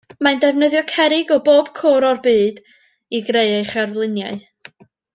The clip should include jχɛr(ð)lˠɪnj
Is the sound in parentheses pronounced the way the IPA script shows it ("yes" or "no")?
no